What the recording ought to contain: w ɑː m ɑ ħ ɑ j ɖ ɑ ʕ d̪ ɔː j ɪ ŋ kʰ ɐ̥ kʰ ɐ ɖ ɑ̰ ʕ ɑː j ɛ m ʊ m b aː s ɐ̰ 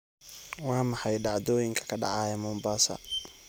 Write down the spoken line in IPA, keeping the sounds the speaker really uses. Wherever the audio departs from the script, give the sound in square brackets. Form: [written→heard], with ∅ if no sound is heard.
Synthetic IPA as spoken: w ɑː m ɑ ħ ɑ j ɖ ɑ ʕ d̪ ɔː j ɪ ŋ kʰ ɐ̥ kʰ ɐ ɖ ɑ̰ ʕ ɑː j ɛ m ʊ m b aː s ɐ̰

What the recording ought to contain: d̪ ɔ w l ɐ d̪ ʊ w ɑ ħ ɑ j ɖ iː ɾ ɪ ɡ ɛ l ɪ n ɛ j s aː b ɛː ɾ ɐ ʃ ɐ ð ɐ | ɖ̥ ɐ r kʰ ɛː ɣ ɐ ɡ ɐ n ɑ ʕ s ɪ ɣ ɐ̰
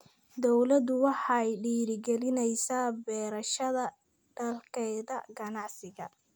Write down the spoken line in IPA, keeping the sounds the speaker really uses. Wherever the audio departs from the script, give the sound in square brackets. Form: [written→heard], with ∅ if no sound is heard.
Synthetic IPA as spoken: d̪ ɔ w l ɐ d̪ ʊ w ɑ ħ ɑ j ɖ iː ɾ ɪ ɡ ɛ l ɪ n ɛ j s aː b ɛː ɾ ɐ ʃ ɐ ð ɐ | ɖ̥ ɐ [r→l] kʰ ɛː [ɣ→ð] ɐ ɡ ɐ n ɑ ʕ s ɪ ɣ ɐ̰

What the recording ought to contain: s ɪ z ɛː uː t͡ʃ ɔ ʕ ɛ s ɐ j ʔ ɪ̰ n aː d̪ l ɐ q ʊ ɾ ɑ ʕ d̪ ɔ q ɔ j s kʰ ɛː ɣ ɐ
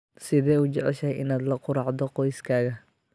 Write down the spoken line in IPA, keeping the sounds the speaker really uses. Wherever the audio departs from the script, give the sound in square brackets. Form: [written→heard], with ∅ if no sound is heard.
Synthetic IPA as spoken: s ɪ [z→ð] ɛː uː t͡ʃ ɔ ʕ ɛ [s→ʃ] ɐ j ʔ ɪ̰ n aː d̪ l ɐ q ʊ ɾ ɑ ʕ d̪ ɔ q ɔ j s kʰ [ɛː→aː] ɣ ɐ

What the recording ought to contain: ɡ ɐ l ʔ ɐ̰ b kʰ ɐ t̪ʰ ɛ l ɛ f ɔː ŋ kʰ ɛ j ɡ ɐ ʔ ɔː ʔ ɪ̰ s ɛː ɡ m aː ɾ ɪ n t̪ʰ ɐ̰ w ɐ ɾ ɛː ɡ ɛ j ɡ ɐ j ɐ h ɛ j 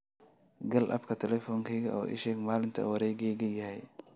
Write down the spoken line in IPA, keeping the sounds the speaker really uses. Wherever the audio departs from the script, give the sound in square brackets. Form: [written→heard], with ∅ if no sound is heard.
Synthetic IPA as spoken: ɡ ɐ l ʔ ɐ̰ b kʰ ɐ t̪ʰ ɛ l ɛ f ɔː ŋ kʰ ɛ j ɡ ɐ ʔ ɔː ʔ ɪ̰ [s→ʃ] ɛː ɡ m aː [ɾ→l] ɪ n t̪ʰ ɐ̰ w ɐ ɾ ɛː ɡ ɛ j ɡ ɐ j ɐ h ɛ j

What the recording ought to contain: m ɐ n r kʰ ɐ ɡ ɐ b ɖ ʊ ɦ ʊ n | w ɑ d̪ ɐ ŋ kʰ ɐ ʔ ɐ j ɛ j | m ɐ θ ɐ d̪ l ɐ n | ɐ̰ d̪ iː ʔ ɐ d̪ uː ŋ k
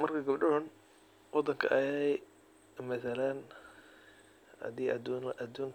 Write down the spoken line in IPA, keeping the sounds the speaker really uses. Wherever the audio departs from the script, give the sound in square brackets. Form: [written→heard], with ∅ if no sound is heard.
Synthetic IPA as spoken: m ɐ [n→∅] r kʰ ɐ ɡ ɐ b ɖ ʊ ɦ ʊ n | w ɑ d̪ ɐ ŋ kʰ ɐ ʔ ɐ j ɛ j | m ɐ θ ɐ [d̪→∅] l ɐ n | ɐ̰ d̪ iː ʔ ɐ d̪ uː ŋ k

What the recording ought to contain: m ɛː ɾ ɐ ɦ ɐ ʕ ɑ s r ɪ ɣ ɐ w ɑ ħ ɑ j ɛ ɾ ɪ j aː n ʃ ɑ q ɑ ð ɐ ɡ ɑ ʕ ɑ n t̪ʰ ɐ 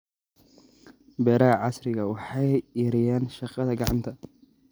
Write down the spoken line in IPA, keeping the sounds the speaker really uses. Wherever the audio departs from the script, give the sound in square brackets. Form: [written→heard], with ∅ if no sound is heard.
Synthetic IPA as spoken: [m→b] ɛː ɾ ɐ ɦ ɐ ʕ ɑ s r ɪ ɣ ɐ w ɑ ħ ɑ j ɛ ɾ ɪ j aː n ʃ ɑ q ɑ ð ɐ ɡ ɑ ʕ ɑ n t̪ʰ ɐ

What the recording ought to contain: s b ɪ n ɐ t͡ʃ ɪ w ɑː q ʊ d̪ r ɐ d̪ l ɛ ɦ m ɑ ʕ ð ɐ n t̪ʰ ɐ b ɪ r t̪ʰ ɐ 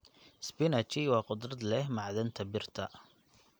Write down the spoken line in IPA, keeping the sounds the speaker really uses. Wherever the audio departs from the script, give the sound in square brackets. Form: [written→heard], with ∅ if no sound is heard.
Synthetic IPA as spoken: s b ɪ n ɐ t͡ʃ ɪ w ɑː q ʊ d̪ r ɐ d̪ l ɛ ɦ m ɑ ʕ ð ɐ n t̪ʰ ɐ b ɪ r t̪ʰ ɐ

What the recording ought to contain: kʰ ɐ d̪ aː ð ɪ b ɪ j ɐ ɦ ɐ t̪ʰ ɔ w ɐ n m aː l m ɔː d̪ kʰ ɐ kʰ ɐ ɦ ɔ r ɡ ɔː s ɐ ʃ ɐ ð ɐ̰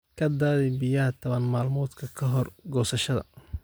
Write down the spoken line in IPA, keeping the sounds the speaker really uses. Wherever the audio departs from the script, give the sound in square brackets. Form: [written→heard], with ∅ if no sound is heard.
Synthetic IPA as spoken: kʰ ɐ d̪ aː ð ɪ b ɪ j ɐ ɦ ɐ t̪ʰ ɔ [w→β] ɐ n m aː l m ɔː d̪ kʰ ɐ kʰ ɐ ɦ ɔ r ɡ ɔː s ɐ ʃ ɐ ð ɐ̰

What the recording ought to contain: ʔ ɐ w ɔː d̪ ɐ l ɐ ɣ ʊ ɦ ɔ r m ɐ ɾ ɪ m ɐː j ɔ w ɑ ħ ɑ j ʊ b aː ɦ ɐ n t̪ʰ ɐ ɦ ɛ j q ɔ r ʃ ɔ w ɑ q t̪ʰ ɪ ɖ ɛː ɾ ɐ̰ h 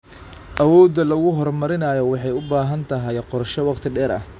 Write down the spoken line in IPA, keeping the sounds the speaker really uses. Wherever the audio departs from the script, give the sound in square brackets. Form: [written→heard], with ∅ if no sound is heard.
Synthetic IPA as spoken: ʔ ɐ w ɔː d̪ ɐ l ɐ ɣ ʊ ɦ ɔ r m ɐ ɾ ɪ [m→n] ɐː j ɔ w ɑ ħ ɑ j ʊ b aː ɦ ɐ n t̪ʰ ɐ ɦ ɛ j q ɔ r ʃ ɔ w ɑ q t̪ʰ ɪ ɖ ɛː ɾ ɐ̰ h

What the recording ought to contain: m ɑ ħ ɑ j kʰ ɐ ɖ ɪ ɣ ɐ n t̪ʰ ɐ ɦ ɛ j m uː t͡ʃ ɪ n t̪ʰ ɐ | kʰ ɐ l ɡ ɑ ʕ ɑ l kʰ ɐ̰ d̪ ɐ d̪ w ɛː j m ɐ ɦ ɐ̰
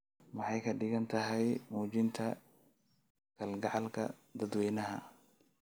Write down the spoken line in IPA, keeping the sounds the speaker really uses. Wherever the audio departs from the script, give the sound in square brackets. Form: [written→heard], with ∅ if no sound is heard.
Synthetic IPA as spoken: m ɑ ħ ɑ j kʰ ɐ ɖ ɪ ɣ ɐ n t̪ʰ ɐ ɦ ɛ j m uː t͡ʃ ɪ n t̪ʰ ɐ | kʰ ɐ l ɡ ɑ ʕ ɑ l kʰ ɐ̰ d̪ ɐ d̪ w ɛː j [m→n] ɐ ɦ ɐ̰

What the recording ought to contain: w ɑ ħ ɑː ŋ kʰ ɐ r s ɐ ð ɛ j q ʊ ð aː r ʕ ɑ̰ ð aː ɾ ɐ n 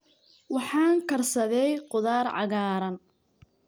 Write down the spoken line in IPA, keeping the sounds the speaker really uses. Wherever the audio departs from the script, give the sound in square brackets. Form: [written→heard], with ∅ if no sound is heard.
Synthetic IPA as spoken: w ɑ ħ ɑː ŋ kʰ ɐ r s ɐ ð ɛ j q ʊ ð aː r ʕ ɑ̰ [ð→ɣ] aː ɾ ɐ n

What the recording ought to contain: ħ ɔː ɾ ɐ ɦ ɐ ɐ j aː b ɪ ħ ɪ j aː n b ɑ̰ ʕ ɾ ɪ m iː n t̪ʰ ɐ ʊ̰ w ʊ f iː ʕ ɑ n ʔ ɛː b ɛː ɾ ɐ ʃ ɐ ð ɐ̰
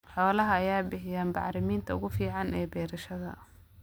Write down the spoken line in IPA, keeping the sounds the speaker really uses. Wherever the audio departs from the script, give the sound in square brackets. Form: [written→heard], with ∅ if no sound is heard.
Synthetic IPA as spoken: ħ ɔː [ɾ→l] ɐ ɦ ɐ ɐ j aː b ɪ ħ ɪ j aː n b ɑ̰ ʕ ɾ ɪ m iː n t̪ʰ ɐ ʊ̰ [w→ɣ] ʊ f iː ʕ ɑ n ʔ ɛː b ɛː ɾ ɐ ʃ ɐ ð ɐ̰

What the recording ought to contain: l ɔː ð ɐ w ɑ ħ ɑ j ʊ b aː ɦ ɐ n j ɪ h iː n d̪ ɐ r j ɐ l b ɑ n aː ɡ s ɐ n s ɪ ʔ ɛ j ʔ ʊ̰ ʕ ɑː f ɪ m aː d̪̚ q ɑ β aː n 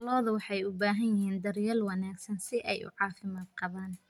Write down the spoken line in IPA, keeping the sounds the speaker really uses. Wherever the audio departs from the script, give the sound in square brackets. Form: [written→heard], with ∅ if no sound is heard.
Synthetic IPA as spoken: l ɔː ð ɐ w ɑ ħ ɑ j ʊ b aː ɦ ɐ n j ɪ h iː n d̪ ɐ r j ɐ l [b→w] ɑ n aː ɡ s ɐ n s ɪ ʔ ɛ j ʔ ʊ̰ ʕ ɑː f ɪ m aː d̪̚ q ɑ β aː n

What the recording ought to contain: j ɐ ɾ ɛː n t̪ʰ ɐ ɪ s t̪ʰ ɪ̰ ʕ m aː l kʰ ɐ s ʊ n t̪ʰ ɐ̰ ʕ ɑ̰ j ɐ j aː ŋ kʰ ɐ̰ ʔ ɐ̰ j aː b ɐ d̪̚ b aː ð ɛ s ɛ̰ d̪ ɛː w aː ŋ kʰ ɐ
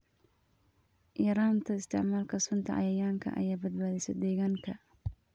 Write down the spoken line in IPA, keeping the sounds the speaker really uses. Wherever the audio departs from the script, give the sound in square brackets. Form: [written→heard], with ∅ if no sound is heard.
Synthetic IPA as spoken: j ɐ ɾ [ɛː→aː] n t̪ʰ ɐ ɪ s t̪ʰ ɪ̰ ʕ m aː l kʰ ɐ s ʊ n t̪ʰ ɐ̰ ʕ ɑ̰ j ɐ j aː ŋ kʰ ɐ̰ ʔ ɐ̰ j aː b ɐ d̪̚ b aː ð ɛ s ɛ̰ d̪ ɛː [w→ɣ] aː ŋ kʰ ɐ

